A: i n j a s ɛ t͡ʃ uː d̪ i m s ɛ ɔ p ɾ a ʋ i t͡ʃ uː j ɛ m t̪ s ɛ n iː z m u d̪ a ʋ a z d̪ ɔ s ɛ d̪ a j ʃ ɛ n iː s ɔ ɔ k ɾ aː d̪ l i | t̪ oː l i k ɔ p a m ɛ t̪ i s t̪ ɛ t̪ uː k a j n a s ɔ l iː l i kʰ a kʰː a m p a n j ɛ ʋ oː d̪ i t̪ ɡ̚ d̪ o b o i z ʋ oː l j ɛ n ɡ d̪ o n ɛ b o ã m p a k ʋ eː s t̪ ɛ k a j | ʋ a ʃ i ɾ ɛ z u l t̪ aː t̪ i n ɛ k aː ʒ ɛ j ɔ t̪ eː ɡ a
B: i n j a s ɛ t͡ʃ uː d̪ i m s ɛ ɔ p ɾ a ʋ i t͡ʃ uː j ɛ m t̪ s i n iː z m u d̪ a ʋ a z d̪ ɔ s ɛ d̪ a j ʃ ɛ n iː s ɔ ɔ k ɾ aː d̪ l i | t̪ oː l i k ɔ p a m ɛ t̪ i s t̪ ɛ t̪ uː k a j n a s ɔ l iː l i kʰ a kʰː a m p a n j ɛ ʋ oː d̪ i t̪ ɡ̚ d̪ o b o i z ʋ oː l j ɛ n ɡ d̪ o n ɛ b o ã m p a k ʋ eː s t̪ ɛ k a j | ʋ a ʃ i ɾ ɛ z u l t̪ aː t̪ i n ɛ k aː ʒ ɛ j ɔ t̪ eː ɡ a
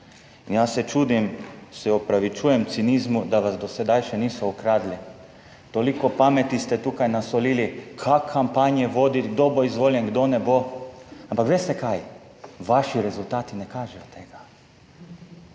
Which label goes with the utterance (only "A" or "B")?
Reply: B